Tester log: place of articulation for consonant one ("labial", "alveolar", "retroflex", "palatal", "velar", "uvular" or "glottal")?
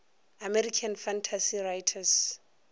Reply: labial